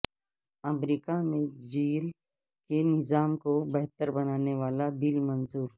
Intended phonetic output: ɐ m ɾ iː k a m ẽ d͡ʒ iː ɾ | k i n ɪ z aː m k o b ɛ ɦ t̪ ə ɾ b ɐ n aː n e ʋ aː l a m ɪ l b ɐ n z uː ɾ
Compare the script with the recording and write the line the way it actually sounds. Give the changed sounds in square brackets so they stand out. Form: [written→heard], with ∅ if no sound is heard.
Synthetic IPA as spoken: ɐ m ɾ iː k a m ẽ d͡ʒ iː [ɾ→l] | k [i→e] n ɪ z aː m k o b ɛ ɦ t̪ ə ɾ b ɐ n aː n e ʋ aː l a [m→b] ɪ l [b→m] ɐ n z uː ɾ